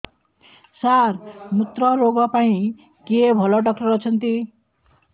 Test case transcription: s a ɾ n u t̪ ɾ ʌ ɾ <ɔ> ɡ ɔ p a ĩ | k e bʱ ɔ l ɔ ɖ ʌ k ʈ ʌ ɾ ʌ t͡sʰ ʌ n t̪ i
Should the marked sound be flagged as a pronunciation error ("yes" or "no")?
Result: yes